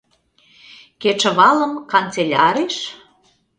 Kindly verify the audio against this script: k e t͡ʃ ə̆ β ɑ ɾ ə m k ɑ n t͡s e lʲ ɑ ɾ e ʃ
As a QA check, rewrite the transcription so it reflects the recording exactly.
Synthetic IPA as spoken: k e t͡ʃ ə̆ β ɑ l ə m k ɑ n t͡s e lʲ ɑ ɾ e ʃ